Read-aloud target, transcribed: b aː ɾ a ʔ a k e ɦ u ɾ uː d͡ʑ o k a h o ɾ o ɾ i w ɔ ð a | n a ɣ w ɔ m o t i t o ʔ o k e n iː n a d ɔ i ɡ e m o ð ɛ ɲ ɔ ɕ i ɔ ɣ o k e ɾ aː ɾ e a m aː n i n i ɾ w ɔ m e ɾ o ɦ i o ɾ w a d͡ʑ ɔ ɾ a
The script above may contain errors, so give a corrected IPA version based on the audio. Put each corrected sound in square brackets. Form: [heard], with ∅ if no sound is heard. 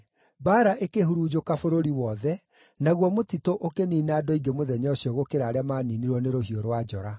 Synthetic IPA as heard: b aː ɾ a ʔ [e] k e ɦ u ɾ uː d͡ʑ o k a [f] o ɾ o ɾ i w ɔ ð [ɛ] | n a ɣ w ɔ m o t i t o ʔ o k e n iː n a d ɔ i ɡ e m o ð ɛ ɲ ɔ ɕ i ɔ ɣ o k e ɾ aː ɾ e a m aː n i n i ɾ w ɔ [n] e ɾ o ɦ i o ɾ w a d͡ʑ ɔ ɾ a

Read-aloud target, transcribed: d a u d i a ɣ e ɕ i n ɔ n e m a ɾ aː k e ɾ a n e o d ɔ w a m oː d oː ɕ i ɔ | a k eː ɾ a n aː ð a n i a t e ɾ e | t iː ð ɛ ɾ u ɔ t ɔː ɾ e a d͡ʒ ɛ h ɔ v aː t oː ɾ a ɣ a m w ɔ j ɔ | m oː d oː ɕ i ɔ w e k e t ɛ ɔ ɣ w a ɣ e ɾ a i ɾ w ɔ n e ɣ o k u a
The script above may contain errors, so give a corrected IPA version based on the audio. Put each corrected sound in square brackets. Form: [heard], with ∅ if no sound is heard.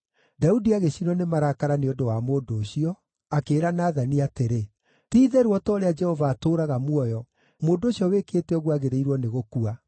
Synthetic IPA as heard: d a u d i a ɣ e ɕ i n ɔ n e m a ɾ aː k [a] ɾ a n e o d [o] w a m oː d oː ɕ i ɔ | a k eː ɾ a n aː ð a n i a t e ɾ e | t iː ð ɛ ɾ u ɔ t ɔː ɾ e a d͡ʒ ɛ h ɔ v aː t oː ɾ a ɣ a m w ɔ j ɔ | m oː d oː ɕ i ɔ w e k e t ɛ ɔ ɣ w a ɣ e ɾ [e] i ɾ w ɔ n e ɣ o k u a

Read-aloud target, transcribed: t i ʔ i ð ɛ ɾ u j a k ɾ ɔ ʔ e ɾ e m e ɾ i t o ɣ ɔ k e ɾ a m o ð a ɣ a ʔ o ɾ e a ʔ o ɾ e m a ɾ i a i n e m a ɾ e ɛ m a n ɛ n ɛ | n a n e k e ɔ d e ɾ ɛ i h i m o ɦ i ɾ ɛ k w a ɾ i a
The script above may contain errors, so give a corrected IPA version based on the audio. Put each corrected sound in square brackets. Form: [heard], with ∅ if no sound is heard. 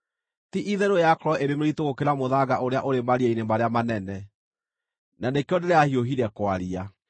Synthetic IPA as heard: t i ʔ i ð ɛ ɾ [o] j a k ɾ ɔ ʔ e ɾ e m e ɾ i t o ɣ [o] k e ɾ a m o ð a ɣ a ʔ o ɾ e a ʔ o ɾ e m a ɾ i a i n e m a ɾ e [a] m a n ɛ n ɛ | n a n e k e ɔ d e ɾ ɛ [a] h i [∅] o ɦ i ɾ ɛ k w a ɾ i a

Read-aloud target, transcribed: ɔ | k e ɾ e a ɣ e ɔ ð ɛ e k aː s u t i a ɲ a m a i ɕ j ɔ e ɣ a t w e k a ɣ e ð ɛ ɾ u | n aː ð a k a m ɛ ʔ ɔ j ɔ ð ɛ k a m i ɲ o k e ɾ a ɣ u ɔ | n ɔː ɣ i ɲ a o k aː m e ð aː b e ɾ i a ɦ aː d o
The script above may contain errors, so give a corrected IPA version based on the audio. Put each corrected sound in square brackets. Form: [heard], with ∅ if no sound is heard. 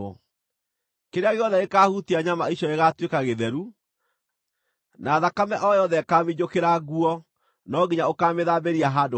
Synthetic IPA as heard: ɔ | k e ɾ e a ɣ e ɔ ð ɛ e k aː [h] u t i a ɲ a m a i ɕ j ɔ e ɣ a t w e k a ɣ e ð ɛ ɾ u | n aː ð a k a m ɛ ʔ ɔ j ɔ ð ɛ k a m i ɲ o k e ɾ a ɣ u ɔ | n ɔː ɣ i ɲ a o k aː m e ð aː b e ɾ i a ɦ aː d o

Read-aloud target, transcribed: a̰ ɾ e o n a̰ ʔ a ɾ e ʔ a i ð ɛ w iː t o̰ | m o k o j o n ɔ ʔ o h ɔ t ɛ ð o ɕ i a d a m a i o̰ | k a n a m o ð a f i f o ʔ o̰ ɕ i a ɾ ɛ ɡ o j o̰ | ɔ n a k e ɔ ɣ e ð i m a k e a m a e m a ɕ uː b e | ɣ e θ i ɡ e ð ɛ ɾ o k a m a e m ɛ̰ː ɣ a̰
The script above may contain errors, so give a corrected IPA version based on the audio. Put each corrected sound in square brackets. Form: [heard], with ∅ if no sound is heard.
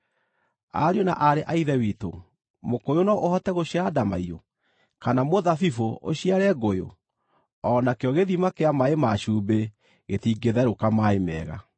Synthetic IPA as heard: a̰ ɾ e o n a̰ ʔ a ɾ e ʔ a i ð ɛ w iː t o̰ | m o k o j o n ɔ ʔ o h ɔ t ɛ [ɣ] o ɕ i a d a m a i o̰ | k a n a m o ð a f i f o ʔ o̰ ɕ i a ɾ ɛ ɡ o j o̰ | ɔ n a k e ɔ ɣ e ð i m a k e a m a e m a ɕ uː b e | ɣ e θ i ɡ e ð ɛ ɾ o k a m a e m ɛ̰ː ɣ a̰

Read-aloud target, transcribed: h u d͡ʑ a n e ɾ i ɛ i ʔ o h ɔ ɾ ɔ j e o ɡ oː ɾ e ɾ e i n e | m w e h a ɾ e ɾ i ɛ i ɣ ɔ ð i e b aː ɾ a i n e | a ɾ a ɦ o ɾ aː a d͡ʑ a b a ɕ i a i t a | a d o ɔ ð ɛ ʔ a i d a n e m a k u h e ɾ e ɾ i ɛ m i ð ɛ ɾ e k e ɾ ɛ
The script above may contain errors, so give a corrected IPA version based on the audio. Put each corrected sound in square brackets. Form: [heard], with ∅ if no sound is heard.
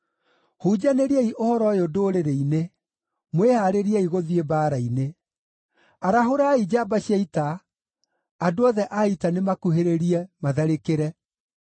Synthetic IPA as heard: h u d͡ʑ a n e ɾ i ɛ i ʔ o h ɔ ɾ ɔ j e o [d] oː ɾ e ɾ e i n e | m w e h a ɾ e ɾ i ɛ i ɣ [o] ð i e b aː ɾ a i n e | a ɾ a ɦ o ɾ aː [i] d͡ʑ a b a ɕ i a i t a | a d o ɔ ð ɛ ʔ a i [t] a n e m a k u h e ɾ e ɾ i ɛ m [a] ð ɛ ɾ e k e ɾ ɛ

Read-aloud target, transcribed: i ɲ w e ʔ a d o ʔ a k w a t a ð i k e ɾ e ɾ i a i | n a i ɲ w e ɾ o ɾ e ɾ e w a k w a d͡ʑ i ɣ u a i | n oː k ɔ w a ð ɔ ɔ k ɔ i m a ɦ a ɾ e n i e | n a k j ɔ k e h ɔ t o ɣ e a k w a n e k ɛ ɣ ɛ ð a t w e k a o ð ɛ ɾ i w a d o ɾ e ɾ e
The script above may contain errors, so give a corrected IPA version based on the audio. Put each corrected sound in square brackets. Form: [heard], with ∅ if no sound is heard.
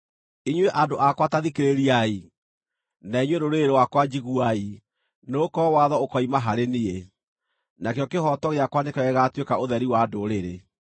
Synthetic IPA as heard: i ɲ w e ʔ a d o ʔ a k w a t a ð i k e ɾ e ɾ i a i | n a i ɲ w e ɾ o ɾ e ɾ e w a k w a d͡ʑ i ɣ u a i | n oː k ɔ w a ð ɔ [o] k ɔ i m a ɦ a ɾ e n i e | n a k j ɔ k e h ɔ t [ɔ] ɣ e a k w a n e k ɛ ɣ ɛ [ɣ] a t w e k a o ð ɛ ɾ i w a d o ɾ e ɾ e

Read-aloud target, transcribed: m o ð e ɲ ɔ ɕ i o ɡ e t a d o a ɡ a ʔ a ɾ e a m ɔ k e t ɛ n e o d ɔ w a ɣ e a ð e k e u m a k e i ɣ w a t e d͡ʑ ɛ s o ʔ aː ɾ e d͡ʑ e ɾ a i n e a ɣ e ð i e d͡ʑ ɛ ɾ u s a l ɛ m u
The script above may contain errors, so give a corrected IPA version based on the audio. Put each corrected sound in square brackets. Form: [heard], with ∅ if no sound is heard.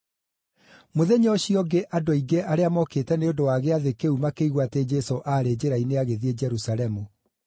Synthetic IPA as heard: m o ð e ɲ ɔ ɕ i [ɔ] ɡ e [ʔ] a d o [i] ɡ [e] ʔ a ɾ e a m ɔ k e t ɛ n e o d [o] w a ɣ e a ð e k e u m a k e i ɣ w a t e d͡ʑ ɛ s o ʔ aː ɾ e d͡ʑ e ɾ a i n e a ɣ e ð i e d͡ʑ ɛ ɾ u s a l ɛ m u

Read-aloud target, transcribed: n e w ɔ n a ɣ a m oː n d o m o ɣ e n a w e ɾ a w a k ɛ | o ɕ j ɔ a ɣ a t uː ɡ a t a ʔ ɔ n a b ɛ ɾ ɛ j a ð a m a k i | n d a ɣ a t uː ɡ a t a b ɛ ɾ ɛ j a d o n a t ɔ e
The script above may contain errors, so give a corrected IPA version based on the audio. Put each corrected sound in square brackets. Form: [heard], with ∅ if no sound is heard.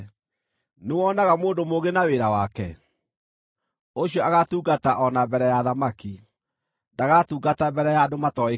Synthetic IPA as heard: n e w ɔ n a ɣ a m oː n d o m o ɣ e n a w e ɾ a w a k ɛ | o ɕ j ɔ a ɣ a t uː ɡ a t a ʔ ɔ n a b ɛ ɾ ɛ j a ð a m a k i | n d a ɣ a t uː ɡ a t a b ɛ ɾ ɛ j a d o [m] a t ɔ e

